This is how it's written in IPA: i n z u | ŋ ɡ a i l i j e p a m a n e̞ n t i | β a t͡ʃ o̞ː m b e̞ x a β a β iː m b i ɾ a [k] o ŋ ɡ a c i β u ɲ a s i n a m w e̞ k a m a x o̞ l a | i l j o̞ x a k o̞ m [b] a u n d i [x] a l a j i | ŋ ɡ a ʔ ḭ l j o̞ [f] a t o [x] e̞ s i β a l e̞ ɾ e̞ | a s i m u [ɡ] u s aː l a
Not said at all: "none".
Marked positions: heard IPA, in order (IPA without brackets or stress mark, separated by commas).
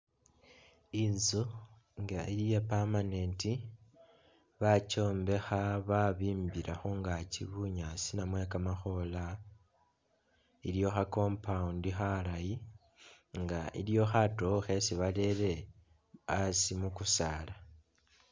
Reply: x, p, x, x, x, k